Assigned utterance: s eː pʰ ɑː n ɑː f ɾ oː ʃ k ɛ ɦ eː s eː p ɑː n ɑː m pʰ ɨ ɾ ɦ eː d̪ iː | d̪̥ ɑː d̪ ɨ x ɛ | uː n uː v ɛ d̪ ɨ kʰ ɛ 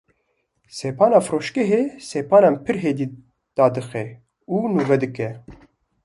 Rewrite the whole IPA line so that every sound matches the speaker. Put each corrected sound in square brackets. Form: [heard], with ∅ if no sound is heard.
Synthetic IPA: s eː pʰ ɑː n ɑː f ɾ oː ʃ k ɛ ɦ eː s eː p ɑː n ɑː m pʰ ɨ ɾ ɦ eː d̪ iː | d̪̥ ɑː d̪ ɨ x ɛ | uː n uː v ɛ d̪ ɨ [k] ɛ

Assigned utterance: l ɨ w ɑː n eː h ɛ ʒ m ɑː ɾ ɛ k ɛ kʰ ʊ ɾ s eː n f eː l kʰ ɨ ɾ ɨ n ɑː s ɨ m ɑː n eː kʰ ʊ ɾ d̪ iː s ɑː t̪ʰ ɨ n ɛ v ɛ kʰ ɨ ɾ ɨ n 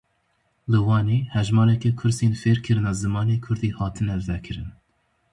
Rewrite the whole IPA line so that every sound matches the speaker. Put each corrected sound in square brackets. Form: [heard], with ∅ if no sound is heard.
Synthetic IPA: l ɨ w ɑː n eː h ɛ ʒ m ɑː ɾ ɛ k ɛ kʰ ʊ ɾ s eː n f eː [ɾ] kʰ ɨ ɾ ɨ n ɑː [z] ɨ m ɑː n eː kʰ ʊ ɾ d̪ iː [h] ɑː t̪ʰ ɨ n ɛ v ɛ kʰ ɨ ɾ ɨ n

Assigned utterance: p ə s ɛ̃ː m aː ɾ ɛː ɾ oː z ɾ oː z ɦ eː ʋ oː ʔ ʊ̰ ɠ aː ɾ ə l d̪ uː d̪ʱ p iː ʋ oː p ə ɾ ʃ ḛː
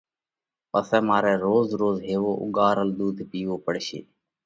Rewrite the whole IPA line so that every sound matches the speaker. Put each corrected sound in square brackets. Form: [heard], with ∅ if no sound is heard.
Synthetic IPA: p ə s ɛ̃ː m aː ɾ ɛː ɾ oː z ɾ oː z ɦ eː ʋ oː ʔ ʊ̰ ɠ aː ɾ ə l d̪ uː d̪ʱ p iː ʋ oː p ə [ɽ] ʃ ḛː

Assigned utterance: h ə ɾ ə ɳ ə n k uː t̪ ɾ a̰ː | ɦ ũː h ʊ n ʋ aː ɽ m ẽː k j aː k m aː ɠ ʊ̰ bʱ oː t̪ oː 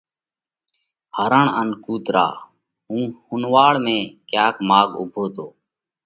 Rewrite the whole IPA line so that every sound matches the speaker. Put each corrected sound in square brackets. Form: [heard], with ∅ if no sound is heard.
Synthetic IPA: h ə ɾ ə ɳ ə n k uː t̪ ɾ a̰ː | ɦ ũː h ʊ n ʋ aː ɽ m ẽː k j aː k m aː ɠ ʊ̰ bʱ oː t̪ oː

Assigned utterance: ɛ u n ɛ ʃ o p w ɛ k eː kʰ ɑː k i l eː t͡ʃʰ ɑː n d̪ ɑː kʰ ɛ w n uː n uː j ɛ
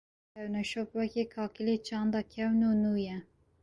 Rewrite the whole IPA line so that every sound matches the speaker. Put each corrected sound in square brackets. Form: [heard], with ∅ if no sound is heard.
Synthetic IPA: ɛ [w] n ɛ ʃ o p w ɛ k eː kʰ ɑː k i l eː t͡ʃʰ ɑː n d̪ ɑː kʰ ɛ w n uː n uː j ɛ

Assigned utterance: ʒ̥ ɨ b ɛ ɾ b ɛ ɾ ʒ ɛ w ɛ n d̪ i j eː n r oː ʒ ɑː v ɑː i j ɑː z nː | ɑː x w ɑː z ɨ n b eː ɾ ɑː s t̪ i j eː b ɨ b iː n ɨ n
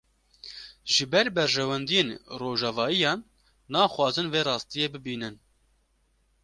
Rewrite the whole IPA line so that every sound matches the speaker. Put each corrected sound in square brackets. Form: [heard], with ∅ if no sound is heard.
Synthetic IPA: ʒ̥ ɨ b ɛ ɾ b ɛ ɾ ʒ ɛ w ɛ n d̪ i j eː n r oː ʒ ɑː v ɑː i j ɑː [∅] nː | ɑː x w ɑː z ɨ n [v] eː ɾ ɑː s t̪ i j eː b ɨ b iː n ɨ n

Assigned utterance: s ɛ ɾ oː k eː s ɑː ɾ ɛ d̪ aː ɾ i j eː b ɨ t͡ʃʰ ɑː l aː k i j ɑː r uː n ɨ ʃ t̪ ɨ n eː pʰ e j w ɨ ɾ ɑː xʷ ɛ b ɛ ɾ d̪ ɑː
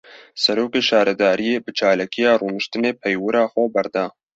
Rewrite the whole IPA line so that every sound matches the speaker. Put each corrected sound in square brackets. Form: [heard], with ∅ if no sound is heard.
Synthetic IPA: s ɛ ɾ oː k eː [ʃ] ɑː ɾ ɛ d̪ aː ɾ i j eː b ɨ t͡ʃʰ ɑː l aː k i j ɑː r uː n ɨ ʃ t̪ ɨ n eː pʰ [ɛ] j w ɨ ɾ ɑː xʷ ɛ b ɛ ɾ d̪ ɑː

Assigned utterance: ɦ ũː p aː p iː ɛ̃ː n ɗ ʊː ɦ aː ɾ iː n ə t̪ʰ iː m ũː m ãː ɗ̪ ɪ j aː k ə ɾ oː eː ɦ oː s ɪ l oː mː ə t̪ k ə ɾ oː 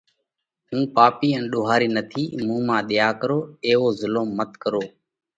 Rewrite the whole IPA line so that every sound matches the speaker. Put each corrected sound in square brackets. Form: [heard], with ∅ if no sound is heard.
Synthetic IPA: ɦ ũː p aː p iː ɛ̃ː n ɗ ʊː ɦ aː ɾ iː n ə t̪ʰ iː m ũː m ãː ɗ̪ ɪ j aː k ə ɾ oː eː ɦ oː [z] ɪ l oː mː ə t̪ k ə ɾ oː

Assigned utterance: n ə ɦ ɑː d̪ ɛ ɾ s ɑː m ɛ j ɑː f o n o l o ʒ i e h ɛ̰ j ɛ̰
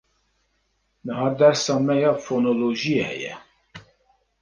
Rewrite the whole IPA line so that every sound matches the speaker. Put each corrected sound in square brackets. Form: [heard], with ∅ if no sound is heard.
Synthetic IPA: n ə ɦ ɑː d̪ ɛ ɾ s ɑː m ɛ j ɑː f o n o l o ʒ i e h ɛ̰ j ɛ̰

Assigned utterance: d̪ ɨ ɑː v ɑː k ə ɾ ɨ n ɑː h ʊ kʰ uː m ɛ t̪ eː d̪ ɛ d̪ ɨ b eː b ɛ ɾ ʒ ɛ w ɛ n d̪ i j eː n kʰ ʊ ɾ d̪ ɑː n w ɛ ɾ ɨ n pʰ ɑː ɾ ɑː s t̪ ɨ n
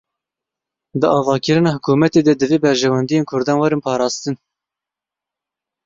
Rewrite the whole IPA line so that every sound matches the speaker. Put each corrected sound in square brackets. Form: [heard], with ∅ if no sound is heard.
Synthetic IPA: d̪ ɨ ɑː v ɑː k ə ɾ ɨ n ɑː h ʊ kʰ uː m ɛ t̪ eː d̪ ɛ d̪ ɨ [v] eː b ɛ ɾ ʒ ɛ w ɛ n d̪ i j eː n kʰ ʊ ɾ d̪ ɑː n w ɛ ɾ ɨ n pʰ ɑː ɾ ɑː s t̪ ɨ n

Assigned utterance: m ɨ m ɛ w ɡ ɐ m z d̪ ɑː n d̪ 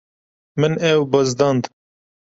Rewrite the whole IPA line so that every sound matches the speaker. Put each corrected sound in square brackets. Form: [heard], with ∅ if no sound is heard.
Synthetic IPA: m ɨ [n] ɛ w [b] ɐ [∅] z d̪ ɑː n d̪

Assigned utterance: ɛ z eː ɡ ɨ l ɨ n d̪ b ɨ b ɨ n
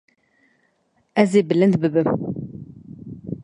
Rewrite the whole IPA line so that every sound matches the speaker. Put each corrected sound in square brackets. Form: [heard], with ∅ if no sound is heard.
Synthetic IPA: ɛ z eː [b] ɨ l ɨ n d̪ b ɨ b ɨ [m]

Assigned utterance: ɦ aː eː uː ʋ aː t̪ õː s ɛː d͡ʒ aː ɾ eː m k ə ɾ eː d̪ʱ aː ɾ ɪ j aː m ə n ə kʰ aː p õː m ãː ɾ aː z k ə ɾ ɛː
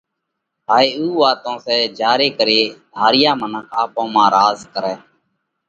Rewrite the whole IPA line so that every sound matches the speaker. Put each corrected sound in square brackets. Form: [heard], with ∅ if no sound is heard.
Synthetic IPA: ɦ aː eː uː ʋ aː t̪ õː s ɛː d͡ʒ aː ɾ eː [∅] k ə ɾ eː d̪ʱ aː ɾ ɪ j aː m ə n ə kʰ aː p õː m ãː ɾ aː z k ə ɾ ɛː

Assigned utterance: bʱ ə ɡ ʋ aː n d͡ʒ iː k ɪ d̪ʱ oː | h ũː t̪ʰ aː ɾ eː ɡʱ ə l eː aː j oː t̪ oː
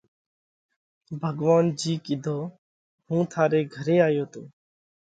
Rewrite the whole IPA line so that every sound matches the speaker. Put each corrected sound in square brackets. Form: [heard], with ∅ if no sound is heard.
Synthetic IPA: bʱ ə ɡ ʋ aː n d͡ʒ iː k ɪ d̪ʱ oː | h ũː t̪ʰ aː ɾ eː ɡʱ ə [ɾ] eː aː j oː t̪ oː

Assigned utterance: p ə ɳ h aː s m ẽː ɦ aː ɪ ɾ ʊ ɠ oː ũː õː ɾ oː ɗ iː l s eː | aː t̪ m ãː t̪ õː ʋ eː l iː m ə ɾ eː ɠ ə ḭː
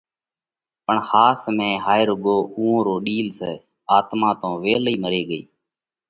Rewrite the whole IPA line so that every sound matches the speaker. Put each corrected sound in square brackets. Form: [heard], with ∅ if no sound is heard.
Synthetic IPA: p ə ɳ h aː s m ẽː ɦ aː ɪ ɾ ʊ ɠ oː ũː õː ɾ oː ɗ iː l s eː | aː t̪ m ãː t̪ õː ʋ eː l iː m ə ɾ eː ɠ ə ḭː

